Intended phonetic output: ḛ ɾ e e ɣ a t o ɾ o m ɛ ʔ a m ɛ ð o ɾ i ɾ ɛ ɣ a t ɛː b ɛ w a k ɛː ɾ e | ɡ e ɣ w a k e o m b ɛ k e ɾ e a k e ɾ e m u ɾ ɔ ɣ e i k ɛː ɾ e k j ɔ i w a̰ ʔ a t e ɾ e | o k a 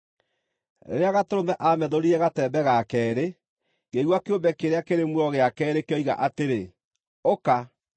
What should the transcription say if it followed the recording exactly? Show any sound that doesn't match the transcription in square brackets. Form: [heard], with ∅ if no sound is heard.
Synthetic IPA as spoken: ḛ ɾ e [a] ɣ a t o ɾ o m ɛ ʔ a m ɛ ð o ɾ i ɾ ɛ ɣ a t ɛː b ɛ [ɣ] a k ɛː ɾ e | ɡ e ɣ w a k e o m b ɛ k e ɾ e a k e ɾ e m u ɾ ɔ ɣ e [a] k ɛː ɾ e k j ɔ i [ɣ] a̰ ʔ a t e ɾ e | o k a